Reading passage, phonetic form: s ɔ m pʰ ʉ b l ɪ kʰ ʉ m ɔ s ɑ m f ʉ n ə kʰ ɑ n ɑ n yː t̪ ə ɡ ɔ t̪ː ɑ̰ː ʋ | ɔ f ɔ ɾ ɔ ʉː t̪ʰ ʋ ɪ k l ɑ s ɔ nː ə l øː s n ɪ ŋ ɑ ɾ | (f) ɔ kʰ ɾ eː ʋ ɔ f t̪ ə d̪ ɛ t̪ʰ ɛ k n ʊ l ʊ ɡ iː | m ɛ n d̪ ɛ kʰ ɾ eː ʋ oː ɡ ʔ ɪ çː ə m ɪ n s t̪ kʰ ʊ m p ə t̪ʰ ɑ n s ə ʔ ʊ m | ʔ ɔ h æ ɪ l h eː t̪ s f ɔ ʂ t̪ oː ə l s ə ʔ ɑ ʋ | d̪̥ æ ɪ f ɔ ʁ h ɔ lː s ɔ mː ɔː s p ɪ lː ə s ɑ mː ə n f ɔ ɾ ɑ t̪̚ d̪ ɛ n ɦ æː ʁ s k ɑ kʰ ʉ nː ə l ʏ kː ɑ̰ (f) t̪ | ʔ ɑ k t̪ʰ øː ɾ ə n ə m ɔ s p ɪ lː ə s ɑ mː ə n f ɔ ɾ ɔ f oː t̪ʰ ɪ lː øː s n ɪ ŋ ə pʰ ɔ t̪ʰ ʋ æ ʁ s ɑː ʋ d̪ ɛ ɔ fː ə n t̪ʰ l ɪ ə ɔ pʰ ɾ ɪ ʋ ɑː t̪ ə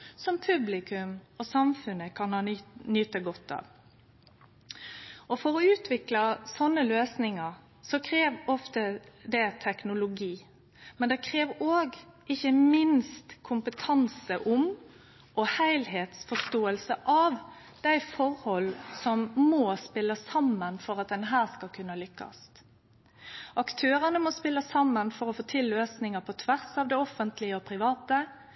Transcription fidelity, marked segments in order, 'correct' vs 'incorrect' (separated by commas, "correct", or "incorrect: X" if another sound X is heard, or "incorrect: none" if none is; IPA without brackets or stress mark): incorrect: s, incorrect: s